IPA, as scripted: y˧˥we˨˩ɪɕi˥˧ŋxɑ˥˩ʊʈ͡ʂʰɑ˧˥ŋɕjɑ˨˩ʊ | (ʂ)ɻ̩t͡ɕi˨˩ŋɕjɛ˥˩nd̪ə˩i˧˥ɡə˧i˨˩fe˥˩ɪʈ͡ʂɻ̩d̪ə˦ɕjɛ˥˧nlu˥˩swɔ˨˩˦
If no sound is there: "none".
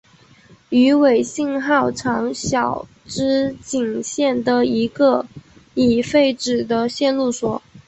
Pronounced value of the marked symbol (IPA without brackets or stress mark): ʈ͡ʂ